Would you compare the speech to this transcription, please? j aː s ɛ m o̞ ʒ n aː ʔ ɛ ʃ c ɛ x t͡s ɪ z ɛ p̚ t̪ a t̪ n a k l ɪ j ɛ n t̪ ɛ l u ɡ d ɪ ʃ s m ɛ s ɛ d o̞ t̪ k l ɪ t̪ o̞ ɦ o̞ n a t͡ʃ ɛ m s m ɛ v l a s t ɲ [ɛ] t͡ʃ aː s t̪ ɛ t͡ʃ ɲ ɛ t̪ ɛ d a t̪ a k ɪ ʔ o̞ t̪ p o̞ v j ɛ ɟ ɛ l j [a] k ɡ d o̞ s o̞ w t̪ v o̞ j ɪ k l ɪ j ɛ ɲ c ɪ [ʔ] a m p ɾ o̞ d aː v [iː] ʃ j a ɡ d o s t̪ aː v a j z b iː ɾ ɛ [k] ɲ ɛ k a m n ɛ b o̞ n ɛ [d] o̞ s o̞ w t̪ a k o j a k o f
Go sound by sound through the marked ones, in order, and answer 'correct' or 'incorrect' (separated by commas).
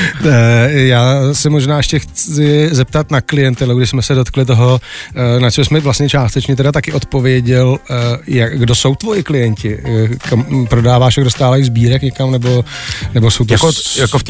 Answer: correct, correct, incorrect, incorrect, correct, incorrect